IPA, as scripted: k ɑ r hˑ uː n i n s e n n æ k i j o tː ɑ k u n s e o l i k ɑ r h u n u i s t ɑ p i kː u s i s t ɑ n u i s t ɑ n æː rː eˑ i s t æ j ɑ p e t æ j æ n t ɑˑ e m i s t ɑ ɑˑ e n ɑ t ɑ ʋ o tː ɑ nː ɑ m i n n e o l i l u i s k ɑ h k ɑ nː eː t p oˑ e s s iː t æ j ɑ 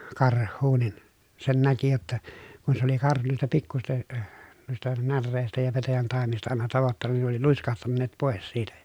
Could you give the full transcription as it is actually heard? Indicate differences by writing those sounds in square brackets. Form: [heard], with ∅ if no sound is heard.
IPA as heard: k ɑ r hˑ uː n i n s e n n æ k i j o tː ɑ k u n s e o l i k ɑ r h u n u i s t ɑ p i kː u s i s t ɑ n u i s t ɑ n [æ] rː eˑ i s t æ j ɑ p e t æ j æ n t ɑˑ e m i s t ɑ ɑˑ e n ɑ t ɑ ʋ o tː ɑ nː ɑ [n] i n n e o l i l u i s k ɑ h [t] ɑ nː eː t p oˑ e s s iː t æ j ɑ